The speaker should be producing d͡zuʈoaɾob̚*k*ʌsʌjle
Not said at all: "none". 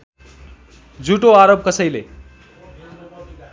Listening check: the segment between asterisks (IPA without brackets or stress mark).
k